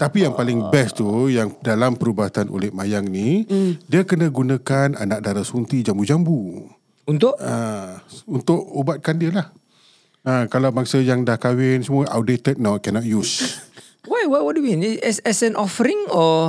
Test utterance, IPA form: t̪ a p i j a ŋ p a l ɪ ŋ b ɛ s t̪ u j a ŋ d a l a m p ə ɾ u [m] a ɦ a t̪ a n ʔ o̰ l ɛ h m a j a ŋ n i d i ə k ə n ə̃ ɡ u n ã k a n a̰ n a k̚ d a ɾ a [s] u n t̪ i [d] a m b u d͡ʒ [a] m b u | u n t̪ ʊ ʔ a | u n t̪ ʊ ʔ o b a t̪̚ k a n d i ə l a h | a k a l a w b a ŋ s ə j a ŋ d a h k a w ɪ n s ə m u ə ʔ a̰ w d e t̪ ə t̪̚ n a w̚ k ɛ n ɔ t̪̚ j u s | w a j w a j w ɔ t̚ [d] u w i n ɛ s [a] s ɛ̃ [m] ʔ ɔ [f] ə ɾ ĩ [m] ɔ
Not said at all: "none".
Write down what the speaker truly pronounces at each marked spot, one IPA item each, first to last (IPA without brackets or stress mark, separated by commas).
b, s, d͡ʒ, a, d, ɛ, n, f, ŋ